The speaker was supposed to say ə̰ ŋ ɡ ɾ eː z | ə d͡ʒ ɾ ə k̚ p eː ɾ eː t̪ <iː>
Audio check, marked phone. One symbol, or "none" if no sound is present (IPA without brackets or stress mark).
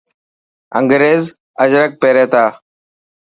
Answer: aː